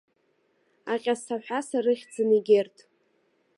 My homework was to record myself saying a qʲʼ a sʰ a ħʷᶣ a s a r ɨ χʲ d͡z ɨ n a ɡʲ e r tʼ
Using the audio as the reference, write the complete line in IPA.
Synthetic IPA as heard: a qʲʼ a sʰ a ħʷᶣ a s a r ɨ χʲ d͡z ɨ n i ɡʲ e r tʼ